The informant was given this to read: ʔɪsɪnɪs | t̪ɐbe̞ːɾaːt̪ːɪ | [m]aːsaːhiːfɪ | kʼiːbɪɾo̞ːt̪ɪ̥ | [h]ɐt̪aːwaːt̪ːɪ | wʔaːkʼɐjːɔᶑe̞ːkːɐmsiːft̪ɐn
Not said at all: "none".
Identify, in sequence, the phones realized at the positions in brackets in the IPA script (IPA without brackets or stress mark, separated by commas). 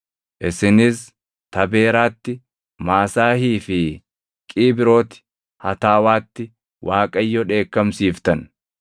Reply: m, h